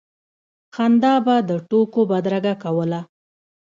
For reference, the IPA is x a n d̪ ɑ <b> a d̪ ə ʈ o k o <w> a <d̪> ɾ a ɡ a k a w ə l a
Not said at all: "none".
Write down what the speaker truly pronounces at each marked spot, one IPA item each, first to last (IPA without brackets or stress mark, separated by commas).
b, b, d̪